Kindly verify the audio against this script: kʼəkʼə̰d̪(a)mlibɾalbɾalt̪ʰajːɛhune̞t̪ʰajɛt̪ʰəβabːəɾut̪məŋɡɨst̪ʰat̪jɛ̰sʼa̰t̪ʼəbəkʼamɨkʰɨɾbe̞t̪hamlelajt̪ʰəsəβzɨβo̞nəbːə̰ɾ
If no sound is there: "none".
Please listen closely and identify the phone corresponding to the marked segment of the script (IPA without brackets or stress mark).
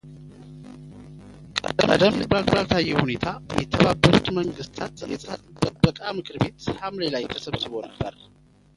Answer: ə